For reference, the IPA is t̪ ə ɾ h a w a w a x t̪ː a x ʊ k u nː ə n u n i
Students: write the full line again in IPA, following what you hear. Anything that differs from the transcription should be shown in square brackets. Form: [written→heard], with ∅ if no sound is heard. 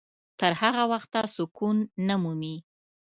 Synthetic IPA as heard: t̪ ə ɾ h a [w→ɣ] a w a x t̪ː a [x→s] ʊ k u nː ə [n→m] u [n→m] i